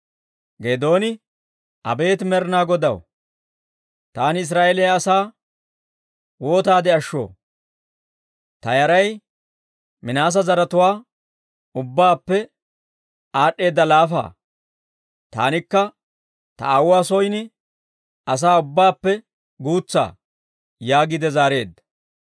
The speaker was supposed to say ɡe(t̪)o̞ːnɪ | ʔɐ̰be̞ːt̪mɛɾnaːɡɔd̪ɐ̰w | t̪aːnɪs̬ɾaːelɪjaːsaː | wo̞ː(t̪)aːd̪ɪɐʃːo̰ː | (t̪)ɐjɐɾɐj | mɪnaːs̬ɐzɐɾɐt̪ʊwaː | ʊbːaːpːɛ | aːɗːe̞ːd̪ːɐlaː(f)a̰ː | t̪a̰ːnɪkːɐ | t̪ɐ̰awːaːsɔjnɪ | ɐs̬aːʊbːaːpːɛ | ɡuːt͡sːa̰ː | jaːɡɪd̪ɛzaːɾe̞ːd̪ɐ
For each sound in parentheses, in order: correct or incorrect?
incorrect: d̪, correct, correct, correct

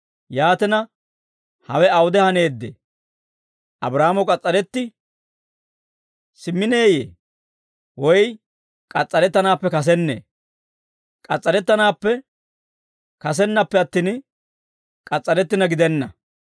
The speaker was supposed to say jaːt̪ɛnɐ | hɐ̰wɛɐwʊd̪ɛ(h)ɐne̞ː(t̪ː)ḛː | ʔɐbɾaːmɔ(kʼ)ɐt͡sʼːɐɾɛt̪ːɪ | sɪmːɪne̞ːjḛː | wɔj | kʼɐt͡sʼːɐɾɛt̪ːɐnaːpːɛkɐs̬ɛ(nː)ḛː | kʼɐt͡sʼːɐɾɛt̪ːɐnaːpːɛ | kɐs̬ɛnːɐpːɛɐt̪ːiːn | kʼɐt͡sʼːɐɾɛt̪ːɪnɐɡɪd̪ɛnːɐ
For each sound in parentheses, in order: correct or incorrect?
correct, incorrect: d̪ː, correct, correct

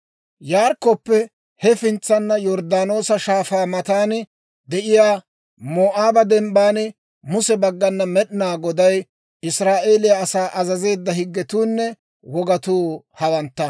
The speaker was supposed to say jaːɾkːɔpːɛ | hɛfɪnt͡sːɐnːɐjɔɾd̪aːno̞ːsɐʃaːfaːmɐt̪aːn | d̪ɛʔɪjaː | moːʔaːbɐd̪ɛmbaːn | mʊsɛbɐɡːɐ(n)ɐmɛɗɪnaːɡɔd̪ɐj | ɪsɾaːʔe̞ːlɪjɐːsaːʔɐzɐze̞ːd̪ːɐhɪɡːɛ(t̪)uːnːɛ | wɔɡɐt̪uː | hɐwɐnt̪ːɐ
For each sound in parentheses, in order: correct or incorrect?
incorrect: nː, correct

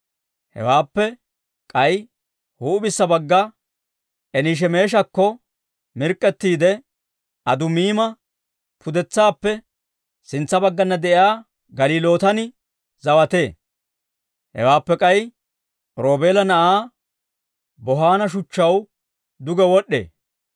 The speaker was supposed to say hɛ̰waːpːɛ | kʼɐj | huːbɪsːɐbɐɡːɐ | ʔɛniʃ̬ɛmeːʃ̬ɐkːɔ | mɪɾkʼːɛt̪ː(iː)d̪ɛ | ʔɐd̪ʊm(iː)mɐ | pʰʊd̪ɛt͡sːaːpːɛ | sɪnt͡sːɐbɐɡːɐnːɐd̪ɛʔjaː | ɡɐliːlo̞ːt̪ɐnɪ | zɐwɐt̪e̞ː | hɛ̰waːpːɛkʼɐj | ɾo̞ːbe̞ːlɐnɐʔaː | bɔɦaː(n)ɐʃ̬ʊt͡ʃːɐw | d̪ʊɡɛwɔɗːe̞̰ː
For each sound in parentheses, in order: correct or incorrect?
correct, correct, correct

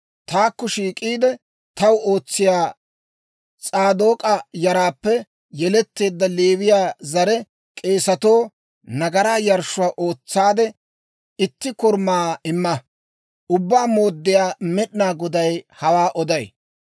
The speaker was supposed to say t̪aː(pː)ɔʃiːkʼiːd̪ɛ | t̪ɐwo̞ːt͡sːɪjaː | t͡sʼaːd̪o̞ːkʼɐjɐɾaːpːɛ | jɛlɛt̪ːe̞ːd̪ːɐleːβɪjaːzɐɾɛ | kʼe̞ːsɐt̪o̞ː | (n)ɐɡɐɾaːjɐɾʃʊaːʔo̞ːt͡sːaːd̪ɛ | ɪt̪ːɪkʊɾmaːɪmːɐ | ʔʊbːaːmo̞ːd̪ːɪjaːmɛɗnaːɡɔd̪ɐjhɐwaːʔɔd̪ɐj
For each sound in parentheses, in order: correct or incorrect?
incorrect: kː, correct

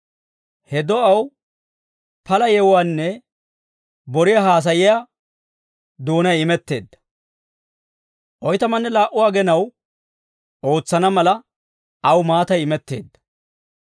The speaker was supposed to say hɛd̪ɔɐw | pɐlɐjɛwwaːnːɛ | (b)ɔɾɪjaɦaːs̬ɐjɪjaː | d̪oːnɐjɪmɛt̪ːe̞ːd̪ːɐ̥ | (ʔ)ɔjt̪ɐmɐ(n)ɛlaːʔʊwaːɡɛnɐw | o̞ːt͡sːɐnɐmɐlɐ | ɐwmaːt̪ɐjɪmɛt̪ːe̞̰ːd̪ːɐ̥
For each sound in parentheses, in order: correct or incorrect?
correct, correct, incorrect: nː

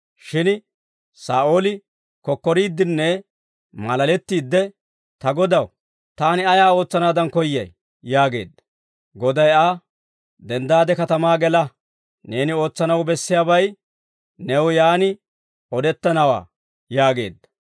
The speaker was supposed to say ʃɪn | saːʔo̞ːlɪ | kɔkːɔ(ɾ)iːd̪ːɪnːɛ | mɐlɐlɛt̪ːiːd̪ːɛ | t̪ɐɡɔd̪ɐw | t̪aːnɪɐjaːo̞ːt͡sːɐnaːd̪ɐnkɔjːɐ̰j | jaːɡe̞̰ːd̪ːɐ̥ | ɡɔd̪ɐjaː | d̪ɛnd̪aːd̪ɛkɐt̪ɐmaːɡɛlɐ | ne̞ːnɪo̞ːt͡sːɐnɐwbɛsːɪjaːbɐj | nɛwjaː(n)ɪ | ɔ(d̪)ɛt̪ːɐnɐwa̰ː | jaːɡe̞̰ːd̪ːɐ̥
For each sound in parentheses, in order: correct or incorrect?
correct, correct, correct

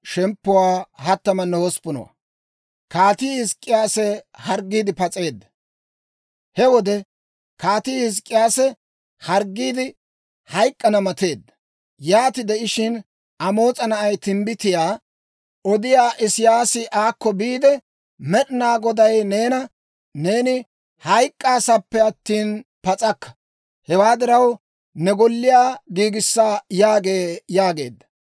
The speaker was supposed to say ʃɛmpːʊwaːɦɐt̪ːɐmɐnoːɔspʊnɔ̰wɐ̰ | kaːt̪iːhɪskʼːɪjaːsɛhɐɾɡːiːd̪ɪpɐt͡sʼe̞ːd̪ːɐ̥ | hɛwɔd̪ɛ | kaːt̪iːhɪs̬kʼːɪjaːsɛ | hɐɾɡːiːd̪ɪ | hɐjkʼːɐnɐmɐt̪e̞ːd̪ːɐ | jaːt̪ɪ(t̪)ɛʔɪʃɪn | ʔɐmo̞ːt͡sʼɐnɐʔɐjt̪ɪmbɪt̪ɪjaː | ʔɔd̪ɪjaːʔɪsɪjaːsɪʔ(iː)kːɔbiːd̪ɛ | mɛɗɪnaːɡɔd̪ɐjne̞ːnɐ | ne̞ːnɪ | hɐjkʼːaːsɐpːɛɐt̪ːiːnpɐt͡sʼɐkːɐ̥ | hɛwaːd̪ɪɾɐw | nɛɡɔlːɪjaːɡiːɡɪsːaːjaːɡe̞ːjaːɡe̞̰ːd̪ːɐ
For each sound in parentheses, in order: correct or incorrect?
incorrect: d̪, incorrect: aː

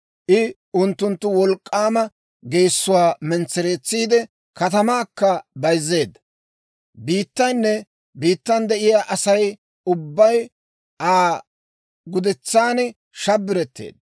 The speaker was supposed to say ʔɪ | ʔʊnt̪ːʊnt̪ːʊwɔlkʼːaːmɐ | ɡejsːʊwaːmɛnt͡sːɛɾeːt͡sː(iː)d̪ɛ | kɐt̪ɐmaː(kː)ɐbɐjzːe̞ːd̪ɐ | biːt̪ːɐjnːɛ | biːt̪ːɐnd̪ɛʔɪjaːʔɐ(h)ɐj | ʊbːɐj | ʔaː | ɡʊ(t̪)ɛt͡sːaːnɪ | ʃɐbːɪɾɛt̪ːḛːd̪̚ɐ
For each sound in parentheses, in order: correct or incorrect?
correct, correct, incorrect: s, incorrect: d̪

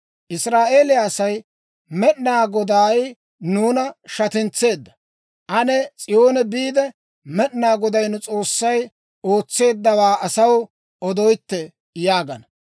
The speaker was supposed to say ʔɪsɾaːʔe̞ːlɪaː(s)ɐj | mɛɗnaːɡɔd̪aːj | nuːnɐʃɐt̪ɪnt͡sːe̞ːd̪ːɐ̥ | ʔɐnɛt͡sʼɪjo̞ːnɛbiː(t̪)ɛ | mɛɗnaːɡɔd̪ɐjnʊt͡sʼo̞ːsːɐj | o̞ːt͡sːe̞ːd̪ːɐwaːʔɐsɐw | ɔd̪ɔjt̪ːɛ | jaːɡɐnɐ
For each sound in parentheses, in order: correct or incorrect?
correct, incorrect: d̪

